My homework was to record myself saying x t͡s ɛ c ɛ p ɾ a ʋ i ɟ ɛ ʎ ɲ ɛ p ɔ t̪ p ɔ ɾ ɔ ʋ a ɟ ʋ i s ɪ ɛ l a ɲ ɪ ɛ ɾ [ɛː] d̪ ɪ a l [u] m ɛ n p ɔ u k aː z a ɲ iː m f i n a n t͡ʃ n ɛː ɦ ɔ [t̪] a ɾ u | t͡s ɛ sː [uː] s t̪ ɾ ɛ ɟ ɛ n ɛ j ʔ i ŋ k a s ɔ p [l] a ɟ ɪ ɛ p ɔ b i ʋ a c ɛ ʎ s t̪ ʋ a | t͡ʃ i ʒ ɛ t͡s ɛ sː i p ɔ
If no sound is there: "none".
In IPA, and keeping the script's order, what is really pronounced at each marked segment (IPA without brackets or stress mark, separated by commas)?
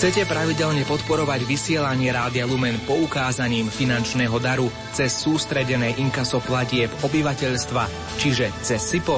aː, u, d̪, uː, l